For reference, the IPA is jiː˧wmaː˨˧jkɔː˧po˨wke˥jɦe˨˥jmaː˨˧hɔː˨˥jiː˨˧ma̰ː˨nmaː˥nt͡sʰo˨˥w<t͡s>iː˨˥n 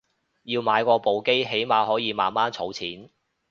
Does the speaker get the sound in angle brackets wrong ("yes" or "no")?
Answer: yes